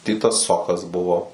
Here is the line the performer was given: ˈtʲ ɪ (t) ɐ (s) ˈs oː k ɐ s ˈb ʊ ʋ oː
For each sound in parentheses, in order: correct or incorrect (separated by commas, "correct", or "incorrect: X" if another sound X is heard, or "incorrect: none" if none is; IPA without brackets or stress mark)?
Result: correct, correct